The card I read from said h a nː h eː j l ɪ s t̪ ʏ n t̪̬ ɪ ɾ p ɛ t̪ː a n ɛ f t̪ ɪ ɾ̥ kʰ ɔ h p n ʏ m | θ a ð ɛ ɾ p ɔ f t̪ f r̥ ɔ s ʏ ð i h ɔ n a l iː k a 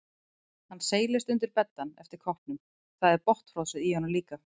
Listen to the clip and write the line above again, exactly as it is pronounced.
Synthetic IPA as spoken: h a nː s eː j l ɪ s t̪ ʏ n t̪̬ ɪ ɾ p ɛ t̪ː a n ɛ f t̪ ɪ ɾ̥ kʰ ɔ h p n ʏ m | θ a ð ɛ ɾ p ɔ h t̪ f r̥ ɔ s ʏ ð i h ɔ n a l iː k a